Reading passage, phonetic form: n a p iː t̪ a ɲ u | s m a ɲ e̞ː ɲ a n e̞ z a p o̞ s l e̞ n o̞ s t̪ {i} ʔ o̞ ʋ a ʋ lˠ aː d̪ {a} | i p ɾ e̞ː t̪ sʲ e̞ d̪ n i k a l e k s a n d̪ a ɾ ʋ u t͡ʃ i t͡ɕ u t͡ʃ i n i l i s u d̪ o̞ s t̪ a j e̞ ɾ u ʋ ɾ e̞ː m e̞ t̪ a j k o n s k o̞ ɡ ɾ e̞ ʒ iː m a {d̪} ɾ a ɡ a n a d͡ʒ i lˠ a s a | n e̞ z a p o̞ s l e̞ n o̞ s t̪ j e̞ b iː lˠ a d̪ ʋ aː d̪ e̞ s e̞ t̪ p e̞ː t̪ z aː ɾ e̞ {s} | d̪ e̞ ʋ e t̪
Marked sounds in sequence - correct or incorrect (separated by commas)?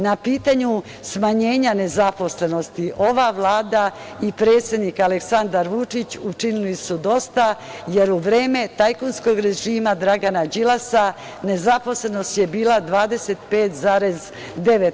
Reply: correct, correct, correct, incorrect